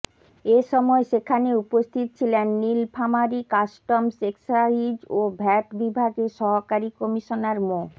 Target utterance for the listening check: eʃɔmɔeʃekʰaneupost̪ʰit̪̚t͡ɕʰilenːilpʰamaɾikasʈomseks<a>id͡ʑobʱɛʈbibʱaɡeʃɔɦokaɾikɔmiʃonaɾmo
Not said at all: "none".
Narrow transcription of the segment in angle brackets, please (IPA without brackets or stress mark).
a